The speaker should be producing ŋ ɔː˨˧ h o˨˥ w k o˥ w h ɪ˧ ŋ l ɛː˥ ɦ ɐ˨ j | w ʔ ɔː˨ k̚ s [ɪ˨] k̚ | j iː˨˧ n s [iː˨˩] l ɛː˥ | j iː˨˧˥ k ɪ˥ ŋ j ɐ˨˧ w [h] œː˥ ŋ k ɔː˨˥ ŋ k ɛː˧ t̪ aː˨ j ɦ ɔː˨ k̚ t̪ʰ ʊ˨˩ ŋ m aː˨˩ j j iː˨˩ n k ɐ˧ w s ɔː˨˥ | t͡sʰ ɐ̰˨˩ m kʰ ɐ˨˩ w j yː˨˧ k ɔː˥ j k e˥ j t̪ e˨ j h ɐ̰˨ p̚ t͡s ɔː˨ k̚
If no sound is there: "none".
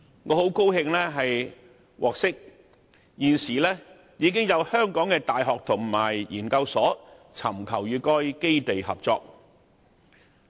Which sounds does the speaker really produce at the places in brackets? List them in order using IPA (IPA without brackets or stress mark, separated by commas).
ɪ˥, iː˨˩, h